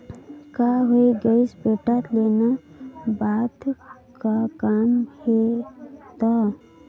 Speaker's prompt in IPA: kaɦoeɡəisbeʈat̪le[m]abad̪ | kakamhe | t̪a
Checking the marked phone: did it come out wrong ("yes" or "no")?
yes